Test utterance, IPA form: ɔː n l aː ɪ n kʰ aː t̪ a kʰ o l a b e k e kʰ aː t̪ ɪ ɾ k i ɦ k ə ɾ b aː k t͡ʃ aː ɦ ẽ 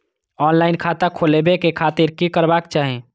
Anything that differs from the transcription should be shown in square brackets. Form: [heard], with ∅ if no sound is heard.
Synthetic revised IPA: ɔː n l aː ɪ n kʰ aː t̪ a kʰ o l [e] b e k e kʰ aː t̪ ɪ ɾ k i [∅] k ə ɾ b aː k t͡ʃ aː ɦ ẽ

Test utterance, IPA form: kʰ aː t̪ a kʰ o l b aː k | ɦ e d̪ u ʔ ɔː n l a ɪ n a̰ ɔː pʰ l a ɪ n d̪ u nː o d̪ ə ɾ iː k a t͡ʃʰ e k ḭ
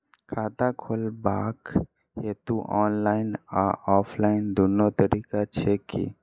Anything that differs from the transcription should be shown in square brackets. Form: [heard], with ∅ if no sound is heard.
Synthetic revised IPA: kʰ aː t̪ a kʰ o l b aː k | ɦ e [t̪] u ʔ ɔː n l a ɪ n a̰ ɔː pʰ l a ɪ n d̪ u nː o [t̪] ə ɾ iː k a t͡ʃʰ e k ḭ

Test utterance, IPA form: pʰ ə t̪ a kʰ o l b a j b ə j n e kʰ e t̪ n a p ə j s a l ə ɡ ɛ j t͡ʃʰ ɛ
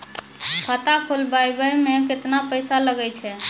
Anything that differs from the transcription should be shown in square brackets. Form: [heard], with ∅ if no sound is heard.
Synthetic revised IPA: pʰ ə t̪ a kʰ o l b a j b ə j [m] e [k] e t̪ n a p ə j s a l ə ɡ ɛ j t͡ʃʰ ɛ

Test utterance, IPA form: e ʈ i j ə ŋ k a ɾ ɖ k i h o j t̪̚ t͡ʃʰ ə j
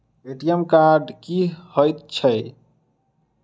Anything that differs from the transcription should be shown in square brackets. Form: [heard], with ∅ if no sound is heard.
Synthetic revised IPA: e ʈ i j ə [m] k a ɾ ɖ k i h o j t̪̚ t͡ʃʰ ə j

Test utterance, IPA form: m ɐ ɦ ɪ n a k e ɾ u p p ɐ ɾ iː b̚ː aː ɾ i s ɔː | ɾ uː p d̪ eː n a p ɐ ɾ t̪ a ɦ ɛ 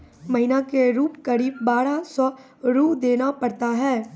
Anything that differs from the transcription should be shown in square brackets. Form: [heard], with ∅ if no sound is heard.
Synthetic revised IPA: m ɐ ɦ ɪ n a k e ɾ [uː] p [k] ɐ ɾ iː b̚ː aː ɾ [a] s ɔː | ɾ uː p d̪ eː n a p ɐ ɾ t̪ a ɦ [ɛː]

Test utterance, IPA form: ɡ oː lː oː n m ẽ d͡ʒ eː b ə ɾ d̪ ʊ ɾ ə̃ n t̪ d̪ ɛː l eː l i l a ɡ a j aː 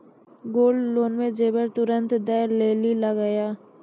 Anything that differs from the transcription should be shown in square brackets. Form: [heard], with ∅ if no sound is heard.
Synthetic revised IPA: ɡ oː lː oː n m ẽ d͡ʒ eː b ə ɾ [t̪] ʊ ɾ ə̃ n t̪ d̪ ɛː l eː l i l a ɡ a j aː

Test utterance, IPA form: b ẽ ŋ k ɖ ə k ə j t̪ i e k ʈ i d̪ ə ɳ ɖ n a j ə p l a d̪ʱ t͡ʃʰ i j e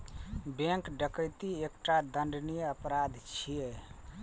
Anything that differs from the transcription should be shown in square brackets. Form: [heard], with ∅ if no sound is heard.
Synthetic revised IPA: b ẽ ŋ k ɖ ə k ə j t̪ i e k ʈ [a] d̪ ə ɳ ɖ n [i] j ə p [ɾ] a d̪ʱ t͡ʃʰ i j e

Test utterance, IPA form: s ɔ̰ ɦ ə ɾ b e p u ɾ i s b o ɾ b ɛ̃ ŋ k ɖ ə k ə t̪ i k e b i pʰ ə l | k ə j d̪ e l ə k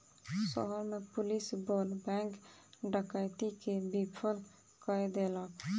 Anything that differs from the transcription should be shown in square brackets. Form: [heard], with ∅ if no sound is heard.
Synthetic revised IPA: s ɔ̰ ɦ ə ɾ [m] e p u [l] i s b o [l] b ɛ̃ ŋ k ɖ ə k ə t̪ i k e b i pʰ ə l | k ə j d̪ e l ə k

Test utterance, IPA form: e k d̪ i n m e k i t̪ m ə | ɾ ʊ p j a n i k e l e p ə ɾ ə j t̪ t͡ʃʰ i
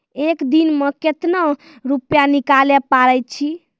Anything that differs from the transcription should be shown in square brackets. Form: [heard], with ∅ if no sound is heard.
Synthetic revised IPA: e k d̪ i n m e k [e] t̪ [n] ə | ɾ [u] p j a n i k [a] l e p [a] ɾ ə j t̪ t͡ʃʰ i

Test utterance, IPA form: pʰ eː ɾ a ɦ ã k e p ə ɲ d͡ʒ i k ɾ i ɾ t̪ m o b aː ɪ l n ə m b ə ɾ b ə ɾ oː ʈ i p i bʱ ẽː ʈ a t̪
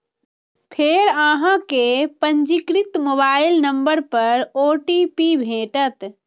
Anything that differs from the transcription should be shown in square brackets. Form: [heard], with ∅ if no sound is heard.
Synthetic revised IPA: pʰ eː ɾ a ɦ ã k e p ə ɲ d͡ʒ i k ɾ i [∅] t̪ m o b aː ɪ l n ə m b ə ɾ [p] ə ɾ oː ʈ i p i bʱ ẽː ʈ [ə] t̪

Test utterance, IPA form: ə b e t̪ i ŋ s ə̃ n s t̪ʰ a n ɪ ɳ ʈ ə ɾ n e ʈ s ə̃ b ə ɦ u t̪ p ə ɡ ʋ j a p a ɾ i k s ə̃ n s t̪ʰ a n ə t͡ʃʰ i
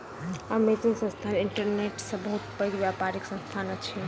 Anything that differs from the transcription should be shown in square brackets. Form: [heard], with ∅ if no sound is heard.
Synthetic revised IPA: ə [m] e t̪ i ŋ s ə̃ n s t̪ʰ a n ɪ ɳ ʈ ə ɾ n e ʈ s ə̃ b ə ɦ u t̪ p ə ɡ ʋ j a p a ɾ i k s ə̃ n s t̪ʰ a n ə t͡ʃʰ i

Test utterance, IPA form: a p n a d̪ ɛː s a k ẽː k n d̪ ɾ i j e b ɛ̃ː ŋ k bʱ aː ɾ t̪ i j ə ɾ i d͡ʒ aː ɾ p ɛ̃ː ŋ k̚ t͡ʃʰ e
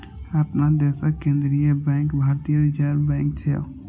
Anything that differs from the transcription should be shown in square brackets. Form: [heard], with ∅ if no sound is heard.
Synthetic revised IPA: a p n a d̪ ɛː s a k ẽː [∅] n d̪ ɾ i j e b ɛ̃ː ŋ k bʱ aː ɾ t̪ i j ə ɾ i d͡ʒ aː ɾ [b] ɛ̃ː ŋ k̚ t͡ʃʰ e

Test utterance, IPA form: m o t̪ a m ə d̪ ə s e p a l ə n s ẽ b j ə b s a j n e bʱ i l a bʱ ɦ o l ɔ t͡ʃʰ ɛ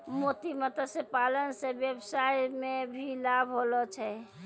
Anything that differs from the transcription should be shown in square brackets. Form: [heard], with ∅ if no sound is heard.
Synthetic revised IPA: m o t̪ [i] m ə [t̪] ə s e p a l ə n s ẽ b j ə b s a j [m] e bʱ i l a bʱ ɦ o l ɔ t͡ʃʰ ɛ

